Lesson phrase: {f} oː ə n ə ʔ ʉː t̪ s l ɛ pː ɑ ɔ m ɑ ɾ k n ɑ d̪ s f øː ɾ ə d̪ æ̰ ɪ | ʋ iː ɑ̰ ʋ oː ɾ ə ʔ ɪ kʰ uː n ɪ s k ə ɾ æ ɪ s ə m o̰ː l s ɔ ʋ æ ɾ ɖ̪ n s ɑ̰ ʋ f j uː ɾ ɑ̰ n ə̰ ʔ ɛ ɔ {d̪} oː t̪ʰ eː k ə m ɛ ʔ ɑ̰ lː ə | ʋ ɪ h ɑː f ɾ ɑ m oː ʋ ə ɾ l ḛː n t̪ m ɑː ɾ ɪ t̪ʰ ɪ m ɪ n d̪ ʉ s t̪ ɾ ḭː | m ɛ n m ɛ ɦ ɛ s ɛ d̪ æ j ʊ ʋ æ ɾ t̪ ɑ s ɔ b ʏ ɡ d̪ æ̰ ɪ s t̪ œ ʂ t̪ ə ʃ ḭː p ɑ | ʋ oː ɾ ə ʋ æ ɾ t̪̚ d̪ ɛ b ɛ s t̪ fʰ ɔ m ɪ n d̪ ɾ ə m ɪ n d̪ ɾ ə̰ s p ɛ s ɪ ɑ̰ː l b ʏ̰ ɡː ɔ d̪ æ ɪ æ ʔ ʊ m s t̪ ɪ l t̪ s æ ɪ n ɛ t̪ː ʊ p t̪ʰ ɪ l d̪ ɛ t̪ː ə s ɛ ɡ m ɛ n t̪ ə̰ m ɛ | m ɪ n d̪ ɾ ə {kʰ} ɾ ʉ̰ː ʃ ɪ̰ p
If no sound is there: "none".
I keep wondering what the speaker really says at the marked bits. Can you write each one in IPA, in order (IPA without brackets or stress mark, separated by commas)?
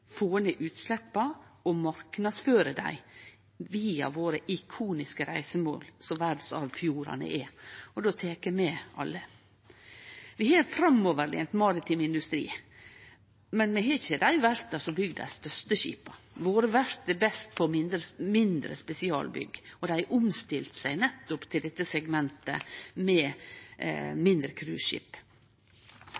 f, d̪, kʰ